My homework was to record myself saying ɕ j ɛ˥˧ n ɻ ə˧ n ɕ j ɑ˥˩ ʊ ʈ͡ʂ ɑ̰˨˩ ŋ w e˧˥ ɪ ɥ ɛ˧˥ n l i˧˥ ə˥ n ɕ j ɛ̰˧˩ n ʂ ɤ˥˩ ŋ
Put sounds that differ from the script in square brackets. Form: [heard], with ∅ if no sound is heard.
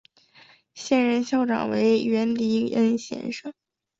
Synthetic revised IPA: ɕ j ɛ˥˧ n ɻ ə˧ n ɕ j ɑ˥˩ ʊ ʈ͡ʂ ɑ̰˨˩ ŋ w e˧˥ ɪ ɥ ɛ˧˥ n l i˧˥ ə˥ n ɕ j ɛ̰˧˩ n ʂ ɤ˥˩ ŋ